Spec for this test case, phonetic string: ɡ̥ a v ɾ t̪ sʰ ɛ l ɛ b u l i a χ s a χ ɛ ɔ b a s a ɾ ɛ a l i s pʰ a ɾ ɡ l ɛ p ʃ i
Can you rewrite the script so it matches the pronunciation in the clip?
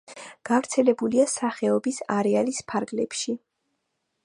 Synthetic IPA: ɡ̥ a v ɾ t̪ sʰ ɛ l ɛ b u l i a s a χ ɛ ɔ b i s a ɾ ɛ a l i s pʰ a ɾ ɡ l ɛ p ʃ i